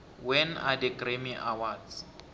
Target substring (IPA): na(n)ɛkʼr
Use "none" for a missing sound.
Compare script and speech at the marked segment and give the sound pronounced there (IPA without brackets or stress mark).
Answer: d